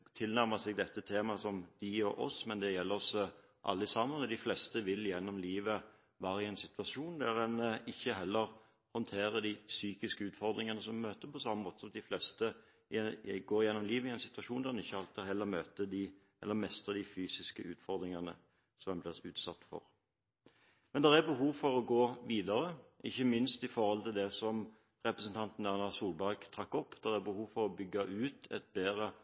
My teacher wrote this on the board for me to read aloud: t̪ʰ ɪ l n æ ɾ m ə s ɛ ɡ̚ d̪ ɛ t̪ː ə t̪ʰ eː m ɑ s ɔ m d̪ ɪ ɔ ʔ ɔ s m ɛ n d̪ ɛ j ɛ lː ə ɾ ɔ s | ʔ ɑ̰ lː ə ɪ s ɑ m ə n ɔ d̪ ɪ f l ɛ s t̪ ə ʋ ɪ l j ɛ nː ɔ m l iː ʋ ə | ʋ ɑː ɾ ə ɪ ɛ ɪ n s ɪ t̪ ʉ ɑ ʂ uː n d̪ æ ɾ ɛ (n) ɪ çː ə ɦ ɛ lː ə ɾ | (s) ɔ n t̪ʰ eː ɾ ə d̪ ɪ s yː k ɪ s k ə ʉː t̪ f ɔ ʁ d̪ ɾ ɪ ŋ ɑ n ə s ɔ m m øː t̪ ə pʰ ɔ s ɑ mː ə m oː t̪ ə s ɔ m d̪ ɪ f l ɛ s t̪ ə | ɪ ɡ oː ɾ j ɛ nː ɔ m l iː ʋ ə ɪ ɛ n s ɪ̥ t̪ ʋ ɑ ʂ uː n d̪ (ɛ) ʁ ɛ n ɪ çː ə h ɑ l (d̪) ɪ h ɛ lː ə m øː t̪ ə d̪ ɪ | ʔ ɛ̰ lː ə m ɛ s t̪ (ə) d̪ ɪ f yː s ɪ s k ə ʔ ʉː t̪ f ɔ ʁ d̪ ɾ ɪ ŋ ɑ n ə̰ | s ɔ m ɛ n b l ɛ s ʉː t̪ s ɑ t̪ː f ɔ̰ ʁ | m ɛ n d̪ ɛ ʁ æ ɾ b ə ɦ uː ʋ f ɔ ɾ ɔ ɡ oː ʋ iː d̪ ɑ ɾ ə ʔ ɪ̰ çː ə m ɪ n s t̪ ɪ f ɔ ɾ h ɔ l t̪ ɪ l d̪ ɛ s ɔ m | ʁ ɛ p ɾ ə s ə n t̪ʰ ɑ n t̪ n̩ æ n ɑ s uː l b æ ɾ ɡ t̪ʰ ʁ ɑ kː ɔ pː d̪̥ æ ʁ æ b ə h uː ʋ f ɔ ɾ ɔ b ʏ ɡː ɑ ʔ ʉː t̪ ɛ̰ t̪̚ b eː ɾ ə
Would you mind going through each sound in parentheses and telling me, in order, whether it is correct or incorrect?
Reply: correct, incorrect: h, incorrect: æ, incorrect: t̪, correct

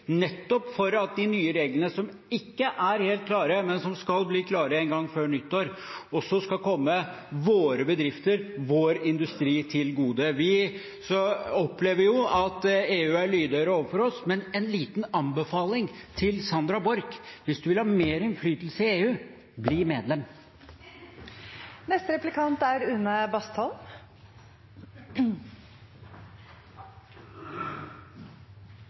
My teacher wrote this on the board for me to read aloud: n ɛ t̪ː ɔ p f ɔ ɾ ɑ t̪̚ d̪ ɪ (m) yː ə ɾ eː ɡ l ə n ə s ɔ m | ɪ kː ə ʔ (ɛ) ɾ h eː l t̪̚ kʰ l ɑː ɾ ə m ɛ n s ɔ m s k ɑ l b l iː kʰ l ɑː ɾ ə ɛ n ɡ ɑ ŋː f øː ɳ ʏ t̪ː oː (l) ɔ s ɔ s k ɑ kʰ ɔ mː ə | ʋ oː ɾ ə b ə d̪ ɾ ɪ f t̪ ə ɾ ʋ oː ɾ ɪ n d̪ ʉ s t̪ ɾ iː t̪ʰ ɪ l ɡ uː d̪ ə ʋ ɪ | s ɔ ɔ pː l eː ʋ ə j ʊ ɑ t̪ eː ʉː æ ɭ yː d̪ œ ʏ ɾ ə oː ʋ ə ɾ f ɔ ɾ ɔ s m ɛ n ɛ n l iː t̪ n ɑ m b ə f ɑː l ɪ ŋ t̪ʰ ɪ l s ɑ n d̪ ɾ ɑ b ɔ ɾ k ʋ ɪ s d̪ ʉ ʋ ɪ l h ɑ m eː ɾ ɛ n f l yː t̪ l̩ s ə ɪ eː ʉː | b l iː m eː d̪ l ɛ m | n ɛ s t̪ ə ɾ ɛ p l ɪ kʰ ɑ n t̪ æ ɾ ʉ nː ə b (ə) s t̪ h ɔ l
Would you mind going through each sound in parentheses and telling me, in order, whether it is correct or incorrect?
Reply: incorrect: n, incorrect: æ, incorrect: ɾ, incorrect: ɑ

